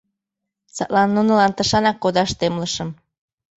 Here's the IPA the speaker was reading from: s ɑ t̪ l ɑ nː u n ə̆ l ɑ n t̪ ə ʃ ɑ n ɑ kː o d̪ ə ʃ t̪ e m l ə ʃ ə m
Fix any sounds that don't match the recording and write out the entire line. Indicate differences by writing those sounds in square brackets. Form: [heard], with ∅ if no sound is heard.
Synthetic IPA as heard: s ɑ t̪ l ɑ nː u n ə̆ l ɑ n t̪ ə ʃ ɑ n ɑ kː o d̪ [ɑ] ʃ t̪ e m l ə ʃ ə m